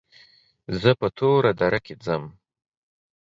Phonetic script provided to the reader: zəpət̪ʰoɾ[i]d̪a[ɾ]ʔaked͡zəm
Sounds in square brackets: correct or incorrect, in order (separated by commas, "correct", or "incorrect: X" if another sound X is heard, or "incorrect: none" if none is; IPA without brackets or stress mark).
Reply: incorrect: a, correct